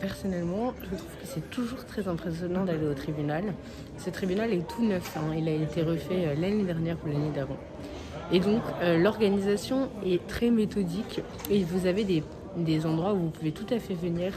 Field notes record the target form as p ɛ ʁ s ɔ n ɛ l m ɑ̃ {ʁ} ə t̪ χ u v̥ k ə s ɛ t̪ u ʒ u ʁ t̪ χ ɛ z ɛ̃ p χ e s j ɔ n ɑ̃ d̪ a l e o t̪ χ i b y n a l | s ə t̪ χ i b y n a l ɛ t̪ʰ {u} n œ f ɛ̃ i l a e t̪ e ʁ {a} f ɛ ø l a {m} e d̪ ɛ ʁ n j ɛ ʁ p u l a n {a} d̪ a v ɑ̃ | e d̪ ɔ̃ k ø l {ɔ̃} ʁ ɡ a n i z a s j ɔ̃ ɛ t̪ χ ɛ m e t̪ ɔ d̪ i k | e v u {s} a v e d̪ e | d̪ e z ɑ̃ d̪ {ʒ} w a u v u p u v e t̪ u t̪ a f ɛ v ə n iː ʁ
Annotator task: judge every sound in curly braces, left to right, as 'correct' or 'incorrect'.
incorrect: ʒ, correct, incorrect: ə, incorrect: n, incorrect: e, incorrect: ɔ, incorrect: z, incorrect: ʁ

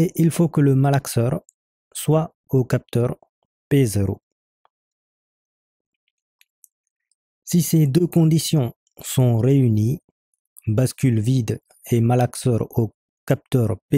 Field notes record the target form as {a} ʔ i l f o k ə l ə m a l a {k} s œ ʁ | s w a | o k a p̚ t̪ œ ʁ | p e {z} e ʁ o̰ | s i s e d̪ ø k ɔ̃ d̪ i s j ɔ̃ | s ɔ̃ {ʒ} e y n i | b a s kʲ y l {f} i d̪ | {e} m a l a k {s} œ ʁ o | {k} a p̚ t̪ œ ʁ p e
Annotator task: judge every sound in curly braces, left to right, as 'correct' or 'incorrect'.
incorrect: e, correct, correct, incorrect: ʁ, incorrect: v, correct, correct, correct

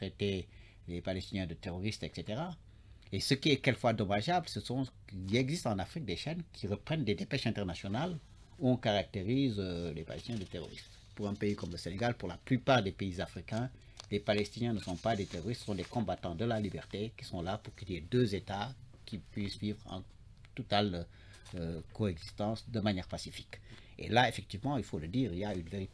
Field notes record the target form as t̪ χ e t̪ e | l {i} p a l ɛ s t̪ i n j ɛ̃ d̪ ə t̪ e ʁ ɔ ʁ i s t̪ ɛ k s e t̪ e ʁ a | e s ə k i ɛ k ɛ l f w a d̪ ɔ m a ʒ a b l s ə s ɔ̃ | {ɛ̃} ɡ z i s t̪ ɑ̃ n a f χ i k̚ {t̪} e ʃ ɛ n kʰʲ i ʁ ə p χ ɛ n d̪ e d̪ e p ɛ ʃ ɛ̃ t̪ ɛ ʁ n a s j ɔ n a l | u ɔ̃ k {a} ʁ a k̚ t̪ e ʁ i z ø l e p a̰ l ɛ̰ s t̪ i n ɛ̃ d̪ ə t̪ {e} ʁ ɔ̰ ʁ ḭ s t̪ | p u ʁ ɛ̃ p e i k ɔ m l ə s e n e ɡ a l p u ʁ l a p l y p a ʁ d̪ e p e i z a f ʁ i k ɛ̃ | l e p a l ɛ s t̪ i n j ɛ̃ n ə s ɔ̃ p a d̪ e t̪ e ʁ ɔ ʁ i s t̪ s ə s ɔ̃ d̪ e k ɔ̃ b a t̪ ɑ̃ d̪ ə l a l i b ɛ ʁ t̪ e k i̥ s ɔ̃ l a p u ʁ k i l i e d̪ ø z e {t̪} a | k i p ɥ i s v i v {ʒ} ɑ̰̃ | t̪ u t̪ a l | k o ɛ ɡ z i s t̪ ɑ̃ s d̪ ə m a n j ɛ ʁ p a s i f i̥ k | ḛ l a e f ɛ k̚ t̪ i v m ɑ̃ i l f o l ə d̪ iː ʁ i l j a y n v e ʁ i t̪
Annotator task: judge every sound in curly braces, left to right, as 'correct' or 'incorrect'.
incorrect: e, incorrect: ɛ, incorrect: d̪, correct, correct, correct, incorrect: ʁ

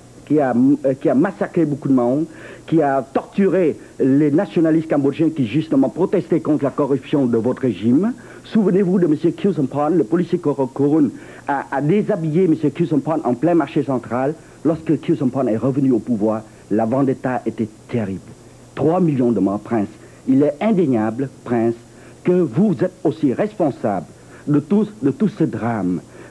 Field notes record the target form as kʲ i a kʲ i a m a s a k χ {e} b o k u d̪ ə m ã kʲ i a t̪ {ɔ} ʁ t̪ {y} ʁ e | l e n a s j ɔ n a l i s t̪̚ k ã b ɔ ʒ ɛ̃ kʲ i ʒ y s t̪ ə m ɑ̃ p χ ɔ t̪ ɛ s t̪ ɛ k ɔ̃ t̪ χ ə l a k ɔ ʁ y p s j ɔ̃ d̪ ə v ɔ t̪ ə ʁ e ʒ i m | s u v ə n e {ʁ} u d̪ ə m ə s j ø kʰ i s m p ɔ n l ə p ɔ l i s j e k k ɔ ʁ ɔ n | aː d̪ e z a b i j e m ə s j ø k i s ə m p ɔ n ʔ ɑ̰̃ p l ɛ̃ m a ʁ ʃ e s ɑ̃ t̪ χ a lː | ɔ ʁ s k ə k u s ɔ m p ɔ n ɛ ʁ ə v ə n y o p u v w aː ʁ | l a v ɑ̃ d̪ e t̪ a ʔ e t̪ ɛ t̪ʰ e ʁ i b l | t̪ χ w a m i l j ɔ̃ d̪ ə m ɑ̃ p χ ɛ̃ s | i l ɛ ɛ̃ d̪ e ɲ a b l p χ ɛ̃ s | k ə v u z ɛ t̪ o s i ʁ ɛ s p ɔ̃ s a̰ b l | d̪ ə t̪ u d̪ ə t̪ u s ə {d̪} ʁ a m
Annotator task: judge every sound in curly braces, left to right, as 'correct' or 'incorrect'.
correct, correct, correct, incorrect: v, correct

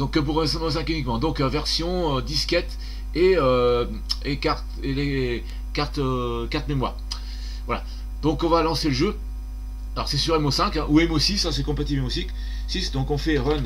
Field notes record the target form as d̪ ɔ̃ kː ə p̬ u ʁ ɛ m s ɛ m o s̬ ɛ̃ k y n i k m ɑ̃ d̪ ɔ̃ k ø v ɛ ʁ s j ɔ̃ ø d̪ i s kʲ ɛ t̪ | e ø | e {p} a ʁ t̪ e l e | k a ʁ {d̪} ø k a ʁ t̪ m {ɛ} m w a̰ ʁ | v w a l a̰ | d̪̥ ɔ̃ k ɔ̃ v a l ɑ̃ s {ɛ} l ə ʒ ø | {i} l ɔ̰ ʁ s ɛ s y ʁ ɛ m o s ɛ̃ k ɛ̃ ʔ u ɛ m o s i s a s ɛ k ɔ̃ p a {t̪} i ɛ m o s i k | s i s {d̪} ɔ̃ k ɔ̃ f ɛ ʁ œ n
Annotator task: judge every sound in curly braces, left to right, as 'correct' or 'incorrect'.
incorrect: k, incorrect: t̪, incorrect: e, incorrect: e, incorrect: a, correct, correct

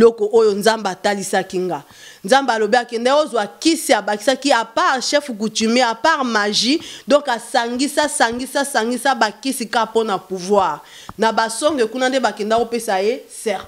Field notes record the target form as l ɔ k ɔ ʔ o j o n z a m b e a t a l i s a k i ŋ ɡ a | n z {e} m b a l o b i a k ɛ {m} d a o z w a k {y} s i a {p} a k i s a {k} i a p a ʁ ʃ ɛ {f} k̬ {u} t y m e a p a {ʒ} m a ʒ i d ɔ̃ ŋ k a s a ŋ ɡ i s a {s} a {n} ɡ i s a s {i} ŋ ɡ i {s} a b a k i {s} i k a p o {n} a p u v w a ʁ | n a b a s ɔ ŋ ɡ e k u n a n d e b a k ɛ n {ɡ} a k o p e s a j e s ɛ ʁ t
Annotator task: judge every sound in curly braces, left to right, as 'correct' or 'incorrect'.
incorrect: a, incorrect: n, incorrect: i, incorrect: b, correct, correct, correct, incorrect: ʁ, correct, incorrect: ŋ, incorrect: a, correct, correct, correct, incorrect: d

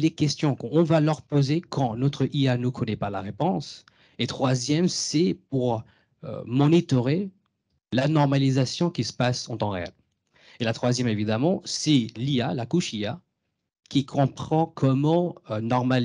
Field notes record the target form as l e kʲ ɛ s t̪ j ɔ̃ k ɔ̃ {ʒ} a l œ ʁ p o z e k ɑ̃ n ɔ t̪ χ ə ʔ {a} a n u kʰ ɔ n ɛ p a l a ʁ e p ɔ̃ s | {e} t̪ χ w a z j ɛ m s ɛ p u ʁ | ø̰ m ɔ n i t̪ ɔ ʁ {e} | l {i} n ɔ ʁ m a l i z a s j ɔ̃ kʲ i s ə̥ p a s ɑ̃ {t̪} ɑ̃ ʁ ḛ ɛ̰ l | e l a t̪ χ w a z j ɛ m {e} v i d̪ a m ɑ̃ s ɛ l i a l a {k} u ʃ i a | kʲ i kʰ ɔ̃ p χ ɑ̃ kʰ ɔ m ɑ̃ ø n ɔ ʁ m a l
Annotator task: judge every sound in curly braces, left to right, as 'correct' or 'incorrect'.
incorrect: v, incorrect: i, correct, correct, incorrect: a, correct, correct, correct

